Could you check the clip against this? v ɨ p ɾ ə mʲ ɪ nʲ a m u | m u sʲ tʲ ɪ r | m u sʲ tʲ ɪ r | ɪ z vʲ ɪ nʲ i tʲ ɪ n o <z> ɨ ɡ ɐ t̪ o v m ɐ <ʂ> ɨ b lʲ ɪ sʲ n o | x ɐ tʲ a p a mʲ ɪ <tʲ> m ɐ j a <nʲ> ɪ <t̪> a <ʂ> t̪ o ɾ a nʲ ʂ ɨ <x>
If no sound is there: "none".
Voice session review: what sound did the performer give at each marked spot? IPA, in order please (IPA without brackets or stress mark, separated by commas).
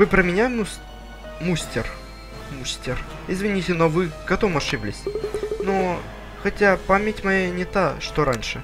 v, ʂ, tʲ, nʲ, t̪, ʂ, none